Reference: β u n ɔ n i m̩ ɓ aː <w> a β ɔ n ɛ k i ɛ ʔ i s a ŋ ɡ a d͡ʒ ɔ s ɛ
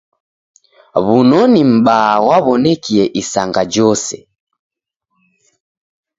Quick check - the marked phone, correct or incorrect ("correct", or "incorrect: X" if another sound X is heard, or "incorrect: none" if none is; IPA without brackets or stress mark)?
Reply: correct